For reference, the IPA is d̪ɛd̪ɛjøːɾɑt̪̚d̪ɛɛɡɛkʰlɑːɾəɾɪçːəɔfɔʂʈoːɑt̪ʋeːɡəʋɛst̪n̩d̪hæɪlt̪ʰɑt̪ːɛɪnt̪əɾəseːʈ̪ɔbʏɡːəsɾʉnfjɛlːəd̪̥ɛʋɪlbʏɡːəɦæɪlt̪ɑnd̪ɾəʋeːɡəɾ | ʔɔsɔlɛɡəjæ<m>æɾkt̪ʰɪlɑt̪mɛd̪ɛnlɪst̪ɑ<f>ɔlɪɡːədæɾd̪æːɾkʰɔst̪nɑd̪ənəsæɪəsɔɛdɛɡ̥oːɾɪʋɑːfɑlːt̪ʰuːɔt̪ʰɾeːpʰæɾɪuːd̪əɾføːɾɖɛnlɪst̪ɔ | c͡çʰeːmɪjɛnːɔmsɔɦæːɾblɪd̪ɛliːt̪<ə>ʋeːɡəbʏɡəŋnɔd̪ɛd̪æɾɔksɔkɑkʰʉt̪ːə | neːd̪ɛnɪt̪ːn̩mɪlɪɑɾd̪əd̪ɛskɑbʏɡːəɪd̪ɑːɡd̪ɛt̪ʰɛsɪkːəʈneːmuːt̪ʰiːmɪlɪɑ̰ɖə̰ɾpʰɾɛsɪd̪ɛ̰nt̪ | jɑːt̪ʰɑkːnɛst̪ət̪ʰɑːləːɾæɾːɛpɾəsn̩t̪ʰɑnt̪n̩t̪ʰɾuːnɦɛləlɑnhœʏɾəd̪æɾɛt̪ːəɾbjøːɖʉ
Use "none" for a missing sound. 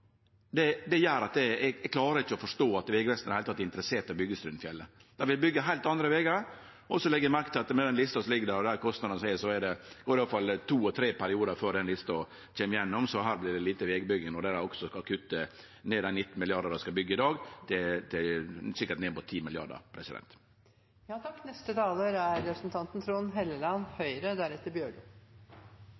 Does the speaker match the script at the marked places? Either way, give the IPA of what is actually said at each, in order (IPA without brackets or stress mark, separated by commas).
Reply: m, s, ə